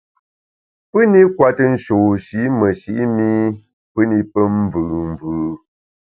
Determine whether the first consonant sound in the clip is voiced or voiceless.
voiceless